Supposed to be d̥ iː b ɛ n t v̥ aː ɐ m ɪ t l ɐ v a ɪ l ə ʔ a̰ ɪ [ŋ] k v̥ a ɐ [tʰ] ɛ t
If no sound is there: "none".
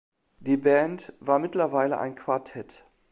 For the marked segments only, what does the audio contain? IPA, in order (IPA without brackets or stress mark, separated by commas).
n, tʰ